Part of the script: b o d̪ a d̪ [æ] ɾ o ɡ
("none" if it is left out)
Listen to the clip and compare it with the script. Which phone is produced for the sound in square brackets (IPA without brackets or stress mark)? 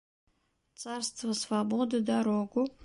a